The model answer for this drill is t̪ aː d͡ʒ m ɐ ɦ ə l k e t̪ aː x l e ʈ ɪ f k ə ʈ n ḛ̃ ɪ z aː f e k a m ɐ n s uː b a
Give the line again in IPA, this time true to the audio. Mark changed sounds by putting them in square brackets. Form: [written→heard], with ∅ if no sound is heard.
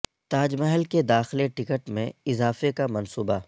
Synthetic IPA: t̪ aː d͡ʒ m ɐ ɦ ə l k e [t̪→d̪] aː x l e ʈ ɪ [f→∅] k ə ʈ [n→m] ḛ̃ ɪ z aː f e k a m ɐ n s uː b a